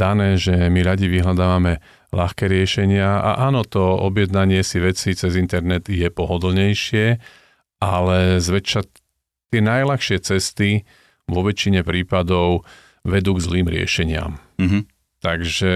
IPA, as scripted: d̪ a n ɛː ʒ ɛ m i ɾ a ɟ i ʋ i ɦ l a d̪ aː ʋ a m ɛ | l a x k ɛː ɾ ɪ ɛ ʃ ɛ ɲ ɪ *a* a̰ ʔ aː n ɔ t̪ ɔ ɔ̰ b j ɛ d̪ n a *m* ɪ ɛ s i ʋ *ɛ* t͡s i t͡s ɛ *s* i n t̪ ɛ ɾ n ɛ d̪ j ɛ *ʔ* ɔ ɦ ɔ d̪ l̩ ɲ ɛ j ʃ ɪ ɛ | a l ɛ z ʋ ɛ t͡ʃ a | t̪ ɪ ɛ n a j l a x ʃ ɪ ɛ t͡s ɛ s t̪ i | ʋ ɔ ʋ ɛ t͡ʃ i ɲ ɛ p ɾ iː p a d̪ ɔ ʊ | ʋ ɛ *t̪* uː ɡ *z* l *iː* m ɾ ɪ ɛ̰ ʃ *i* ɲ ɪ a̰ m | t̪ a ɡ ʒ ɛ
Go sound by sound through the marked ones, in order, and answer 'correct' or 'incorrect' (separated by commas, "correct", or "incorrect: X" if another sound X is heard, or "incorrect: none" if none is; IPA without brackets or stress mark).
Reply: correct, incorrect: ɲ, correct, incorrect: z, incorrect: p, incorrect: d̪, correct, correct, incorrect: ɛ